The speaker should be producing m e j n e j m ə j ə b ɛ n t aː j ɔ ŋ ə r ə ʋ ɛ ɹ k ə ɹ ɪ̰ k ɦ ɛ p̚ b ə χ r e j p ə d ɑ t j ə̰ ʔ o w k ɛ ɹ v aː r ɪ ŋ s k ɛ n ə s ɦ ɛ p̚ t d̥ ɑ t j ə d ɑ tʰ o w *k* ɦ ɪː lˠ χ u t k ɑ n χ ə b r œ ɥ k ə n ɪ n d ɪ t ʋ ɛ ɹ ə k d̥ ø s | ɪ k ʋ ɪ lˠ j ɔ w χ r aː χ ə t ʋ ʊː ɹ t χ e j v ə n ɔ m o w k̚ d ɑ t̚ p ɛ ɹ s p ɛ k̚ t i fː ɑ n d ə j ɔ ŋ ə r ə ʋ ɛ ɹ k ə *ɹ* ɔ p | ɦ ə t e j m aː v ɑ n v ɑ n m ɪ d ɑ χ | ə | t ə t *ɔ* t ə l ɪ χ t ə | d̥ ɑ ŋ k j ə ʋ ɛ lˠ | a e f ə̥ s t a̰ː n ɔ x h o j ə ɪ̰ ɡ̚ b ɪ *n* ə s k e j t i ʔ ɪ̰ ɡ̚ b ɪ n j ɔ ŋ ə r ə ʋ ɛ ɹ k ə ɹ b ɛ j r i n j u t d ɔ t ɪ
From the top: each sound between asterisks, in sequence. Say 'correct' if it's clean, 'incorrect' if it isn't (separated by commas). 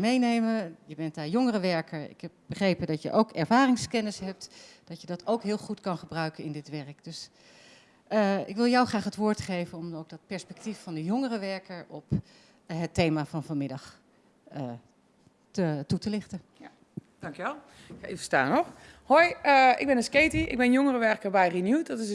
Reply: correct, correct, incorrect, correct